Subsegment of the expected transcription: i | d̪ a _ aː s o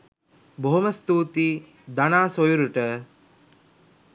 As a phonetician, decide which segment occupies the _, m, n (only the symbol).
n